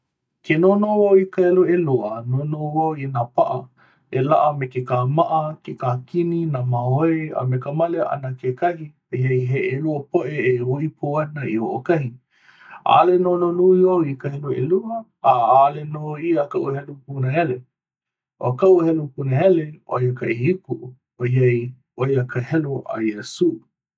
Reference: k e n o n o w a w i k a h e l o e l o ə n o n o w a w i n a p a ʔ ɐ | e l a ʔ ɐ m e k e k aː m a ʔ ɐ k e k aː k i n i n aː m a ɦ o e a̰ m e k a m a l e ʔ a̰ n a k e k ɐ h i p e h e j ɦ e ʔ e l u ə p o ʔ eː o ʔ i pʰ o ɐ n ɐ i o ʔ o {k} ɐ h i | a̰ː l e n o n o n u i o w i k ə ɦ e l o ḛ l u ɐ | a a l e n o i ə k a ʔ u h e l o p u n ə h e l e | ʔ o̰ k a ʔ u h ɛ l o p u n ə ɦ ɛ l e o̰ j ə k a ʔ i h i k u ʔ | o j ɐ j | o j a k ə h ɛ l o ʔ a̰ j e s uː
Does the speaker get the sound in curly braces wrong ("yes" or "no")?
no